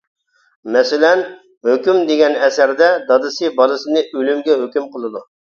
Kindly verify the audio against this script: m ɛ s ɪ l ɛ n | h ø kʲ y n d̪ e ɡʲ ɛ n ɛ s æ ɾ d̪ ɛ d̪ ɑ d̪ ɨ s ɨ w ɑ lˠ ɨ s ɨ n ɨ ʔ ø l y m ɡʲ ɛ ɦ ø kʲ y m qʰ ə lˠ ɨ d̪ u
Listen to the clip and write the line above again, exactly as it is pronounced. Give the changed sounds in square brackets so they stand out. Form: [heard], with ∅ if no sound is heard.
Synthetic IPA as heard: m ɛ s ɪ l ɛ n | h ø kʲ y [m] d̪ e ɡʲ ɛ n ɛ s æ ɾ d̪ ɛ d̪ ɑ d̪ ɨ s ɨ [b] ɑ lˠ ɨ s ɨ n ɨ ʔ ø l y m ɡʲ ɛ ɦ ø kʲ y m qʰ ə lˠ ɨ d̪ u